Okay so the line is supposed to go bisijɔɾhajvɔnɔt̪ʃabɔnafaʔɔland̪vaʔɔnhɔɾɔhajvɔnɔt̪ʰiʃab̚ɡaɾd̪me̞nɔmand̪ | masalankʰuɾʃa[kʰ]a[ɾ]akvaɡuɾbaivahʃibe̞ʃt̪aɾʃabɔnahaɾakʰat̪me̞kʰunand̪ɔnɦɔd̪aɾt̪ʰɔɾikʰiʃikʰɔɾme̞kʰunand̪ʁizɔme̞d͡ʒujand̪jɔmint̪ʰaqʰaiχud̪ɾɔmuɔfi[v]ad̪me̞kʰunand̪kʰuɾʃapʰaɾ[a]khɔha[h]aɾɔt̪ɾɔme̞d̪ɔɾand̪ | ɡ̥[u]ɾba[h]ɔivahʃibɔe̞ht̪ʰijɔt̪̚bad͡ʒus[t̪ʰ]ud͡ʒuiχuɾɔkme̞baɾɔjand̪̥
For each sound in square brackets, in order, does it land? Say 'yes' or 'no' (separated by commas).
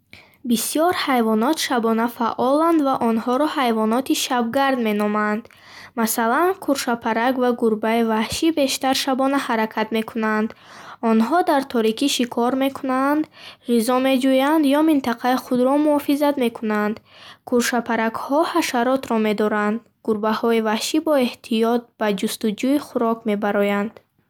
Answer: no, yes, no, yes, no, yes, yes, no